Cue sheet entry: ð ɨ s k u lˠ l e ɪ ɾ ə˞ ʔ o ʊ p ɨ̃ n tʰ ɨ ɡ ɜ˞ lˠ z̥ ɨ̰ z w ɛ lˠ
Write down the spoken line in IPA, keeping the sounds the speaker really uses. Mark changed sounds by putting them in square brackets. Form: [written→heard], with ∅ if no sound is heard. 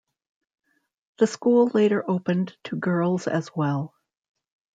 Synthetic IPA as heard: ð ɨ s k u lˠ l e ɪ ɾ ə˞ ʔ o ʊ p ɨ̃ n tʰ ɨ ɡ ɜ˞ lˠ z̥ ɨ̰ z w ɛ lˠ